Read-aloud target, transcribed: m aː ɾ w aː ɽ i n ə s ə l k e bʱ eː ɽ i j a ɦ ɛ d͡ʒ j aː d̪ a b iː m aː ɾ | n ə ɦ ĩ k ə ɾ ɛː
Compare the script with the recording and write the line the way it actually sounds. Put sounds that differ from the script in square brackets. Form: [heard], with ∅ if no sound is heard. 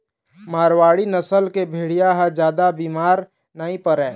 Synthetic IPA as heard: m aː ɾ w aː ɽ i n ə s ə l k e bʱ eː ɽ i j a ɦ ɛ d͡ʒ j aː d̪ a b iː m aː ɾ | n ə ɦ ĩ [p] ə ɾ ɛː

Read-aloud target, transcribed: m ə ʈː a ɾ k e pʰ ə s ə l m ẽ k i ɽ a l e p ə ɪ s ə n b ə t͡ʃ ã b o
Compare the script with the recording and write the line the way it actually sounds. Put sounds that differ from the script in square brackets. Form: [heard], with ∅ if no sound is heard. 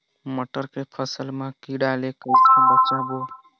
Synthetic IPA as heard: m ə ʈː [ə] ɾ k e pʰ ə s ə l m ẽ k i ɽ a l e [k] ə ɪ s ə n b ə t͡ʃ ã b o

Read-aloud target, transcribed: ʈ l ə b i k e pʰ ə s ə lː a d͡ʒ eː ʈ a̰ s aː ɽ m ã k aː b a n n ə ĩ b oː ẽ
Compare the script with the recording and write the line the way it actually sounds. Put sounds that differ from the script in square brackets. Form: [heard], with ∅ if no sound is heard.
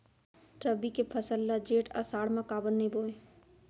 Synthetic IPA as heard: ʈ [ɾ] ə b i k e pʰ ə s ə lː a d͡ʒ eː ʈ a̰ s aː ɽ m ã k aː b [ə] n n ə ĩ b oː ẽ

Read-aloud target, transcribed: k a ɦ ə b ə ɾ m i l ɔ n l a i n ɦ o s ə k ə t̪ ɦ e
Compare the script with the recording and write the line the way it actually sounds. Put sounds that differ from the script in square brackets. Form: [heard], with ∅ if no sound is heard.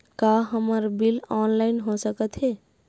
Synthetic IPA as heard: k a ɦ ə [m] ə ɾ [b] i l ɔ n l a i n ɦ o s ə k ə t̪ ɦ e

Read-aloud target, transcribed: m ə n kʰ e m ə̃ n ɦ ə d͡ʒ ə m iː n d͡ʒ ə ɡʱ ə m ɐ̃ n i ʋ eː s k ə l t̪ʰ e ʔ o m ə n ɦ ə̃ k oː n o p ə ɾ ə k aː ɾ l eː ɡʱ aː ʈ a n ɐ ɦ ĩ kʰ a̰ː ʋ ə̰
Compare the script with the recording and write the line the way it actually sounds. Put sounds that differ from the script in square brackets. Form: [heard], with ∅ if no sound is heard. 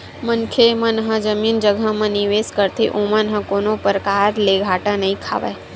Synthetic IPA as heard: m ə n kʰ e m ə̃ n ɦ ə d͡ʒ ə m iː n d͡ʒ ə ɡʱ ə m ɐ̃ n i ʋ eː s k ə [ɾ] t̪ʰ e ʔ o m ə n ɦ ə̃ k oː n o p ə ɾ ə k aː ɾ l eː ɡʱ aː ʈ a n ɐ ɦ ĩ kʰ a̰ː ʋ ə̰

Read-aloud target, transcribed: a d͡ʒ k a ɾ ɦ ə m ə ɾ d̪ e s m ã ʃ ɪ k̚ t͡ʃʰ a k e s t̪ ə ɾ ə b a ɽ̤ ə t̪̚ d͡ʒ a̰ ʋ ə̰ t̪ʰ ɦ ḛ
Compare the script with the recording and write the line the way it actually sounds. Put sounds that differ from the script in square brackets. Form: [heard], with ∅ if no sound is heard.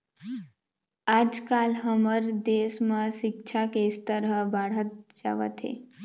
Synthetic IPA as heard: a d͡ʒ k a [l] ɦ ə m ə ɾ d̪ e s m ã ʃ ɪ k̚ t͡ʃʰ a k e s t̪ ə ɾ ə b a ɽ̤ ə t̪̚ d͡ʒ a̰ ʋ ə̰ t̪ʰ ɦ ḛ

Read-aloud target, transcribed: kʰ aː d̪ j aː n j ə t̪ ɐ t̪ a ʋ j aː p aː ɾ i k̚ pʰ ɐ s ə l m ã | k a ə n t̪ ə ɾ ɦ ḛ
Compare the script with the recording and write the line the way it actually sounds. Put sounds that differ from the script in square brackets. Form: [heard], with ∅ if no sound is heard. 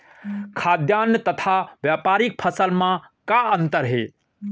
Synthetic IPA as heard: kʰ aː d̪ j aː n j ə t̪ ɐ [t̪ʰ] a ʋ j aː p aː ɾ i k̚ pʰ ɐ s ə l m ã | k a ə n t̪ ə ɾ ɦ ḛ

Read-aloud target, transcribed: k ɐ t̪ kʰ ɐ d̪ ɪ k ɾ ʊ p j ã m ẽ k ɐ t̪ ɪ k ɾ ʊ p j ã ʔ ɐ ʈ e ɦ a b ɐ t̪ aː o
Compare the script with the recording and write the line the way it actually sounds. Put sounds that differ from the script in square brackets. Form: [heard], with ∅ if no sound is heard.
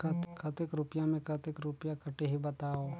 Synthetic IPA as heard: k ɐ t̪ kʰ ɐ [t̪] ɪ k ɾ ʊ p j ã m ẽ k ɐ t̪ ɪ k ɾ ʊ p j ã [k] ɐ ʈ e ɦ [i] b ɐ t̪ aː o

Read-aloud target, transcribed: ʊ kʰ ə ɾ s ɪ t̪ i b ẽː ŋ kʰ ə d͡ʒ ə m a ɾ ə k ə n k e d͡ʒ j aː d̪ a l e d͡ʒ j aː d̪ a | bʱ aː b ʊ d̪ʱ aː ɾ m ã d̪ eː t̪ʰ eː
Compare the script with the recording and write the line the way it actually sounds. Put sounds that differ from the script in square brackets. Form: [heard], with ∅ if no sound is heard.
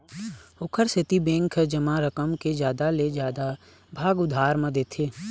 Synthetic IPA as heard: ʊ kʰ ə ɾ s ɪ t̪ i b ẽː ŋ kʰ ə d͡ʒ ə m a ɾ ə k ə [m] k e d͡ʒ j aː d̪ a l e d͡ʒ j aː d̪ a | bʱ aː [ɡ] ʊ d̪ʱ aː ɾ m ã d̪ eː t̪ʰ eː

